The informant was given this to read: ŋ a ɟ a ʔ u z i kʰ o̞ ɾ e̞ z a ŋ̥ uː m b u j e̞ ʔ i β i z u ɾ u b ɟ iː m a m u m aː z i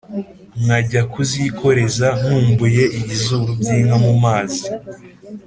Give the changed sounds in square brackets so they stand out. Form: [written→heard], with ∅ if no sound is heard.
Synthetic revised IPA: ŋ a ɟ a [ʔ→k] u z i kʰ o̞ ɾ e̞ z a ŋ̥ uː m b u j e̞ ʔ i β i z u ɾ u b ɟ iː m a m u m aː z i